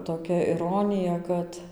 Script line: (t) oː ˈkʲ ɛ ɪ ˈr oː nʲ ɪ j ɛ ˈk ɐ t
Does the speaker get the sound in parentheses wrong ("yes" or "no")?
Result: no